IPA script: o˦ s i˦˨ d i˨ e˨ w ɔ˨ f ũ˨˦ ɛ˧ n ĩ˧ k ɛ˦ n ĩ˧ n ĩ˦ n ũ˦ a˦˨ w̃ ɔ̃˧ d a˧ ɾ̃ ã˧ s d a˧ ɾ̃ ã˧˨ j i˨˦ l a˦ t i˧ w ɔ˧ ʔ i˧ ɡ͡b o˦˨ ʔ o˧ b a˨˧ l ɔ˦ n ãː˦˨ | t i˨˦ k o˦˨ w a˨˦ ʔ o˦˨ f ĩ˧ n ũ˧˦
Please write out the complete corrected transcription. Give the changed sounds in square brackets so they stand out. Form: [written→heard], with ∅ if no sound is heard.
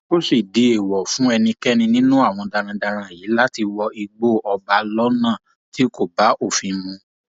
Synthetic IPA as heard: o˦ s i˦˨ d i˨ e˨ w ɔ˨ f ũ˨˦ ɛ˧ n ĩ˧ k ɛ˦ n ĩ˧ n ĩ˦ n ũ˦ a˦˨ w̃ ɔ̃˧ d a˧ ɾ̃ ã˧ [s→∅] d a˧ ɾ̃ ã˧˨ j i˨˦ l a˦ t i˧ w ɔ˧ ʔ i˧ ɡ͡b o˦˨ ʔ [o˧→ɔ˧] b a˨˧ l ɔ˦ n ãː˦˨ | t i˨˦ k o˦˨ [w→b] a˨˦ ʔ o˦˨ f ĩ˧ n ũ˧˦

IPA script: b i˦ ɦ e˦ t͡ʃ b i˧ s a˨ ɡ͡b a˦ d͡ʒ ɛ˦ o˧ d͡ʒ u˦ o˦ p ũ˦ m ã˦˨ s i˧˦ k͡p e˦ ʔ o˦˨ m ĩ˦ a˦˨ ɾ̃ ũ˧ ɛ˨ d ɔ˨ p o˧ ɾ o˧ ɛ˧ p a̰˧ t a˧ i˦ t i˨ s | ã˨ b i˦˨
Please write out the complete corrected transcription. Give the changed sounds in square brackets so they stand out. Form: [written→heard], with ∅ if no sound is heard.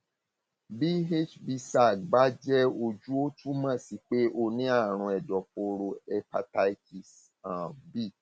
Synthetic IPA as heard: b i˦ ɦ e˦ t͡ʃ b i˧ s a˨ ɡ͡b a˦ d͡ʒ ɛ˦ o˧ d͡ʒ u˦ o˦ [p→t] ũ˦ m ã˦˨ s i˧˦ k͡p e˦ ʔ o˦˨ [m→n] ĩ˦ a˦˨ ɾ̃ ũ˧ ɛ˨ d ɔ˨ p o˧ ɾ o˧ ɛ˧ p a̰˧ t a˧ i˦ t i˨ s | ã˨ b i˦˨

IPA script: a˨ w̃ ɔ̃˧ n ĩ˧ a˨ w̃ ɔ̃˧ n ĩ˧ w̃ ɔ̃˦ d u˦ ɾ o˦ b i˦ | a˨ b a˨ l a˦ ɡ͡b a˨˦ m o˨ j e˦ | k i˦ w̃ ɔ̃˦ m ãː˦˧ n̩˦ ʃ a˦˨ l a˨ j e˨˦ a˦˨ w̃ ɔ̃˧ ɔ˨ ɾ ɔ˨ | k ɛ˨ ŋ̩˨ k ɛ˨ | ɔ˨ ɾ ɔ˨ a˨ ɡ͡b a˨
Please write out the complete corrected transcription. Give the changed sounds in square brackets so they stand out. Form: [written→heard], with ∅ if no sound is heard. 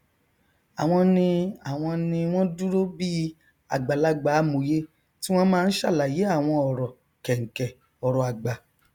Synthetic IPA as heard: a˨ w̃ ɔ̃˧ n ĩ˧ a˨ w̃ ɔ̃˧ n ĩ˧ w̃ ɔ̃˦ d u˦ ɾ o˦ b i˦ | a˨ [b→ɡ͡b] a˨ l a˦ ɡ͡b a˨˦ m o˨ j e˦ | [k→t] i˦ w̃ ɔ̃˦ m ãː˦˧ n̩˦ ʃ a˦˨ l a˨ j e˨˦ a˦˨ w̃ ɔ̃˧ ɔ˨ ɾ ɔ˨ | k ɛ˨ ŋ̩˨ k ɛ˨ | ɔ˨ ɾ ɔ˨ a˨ ɡ͡b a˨

